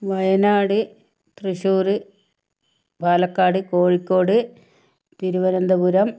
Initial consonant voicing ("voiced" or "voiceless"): voiced